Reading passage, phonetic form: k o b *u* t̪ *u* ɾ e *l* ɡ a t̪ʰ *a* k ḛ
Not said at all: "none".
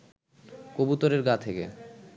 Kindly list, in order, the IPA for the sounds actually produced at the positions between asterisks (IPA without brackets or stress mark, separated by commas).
u, o, ɾ, e